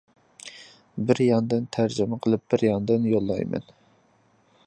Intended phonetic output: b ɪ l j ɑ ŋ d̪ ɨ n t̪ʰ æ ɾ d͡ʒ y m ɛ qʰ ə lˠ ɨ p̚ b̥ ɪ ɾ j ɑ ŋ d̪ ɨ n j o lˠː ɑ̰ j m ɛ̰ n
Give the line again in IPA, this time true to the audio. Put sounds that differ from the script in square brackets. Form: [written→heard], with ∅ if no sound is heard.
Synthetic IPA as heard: b ɪ [l→ɾ] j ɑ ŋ d̪ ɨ n t̪ʰ æ ɾ d͡ʒ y m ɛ qʰ ə lˠ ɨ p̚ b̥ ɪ ɾ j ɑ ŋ d̪ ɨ n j o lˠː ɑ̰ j m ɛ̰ n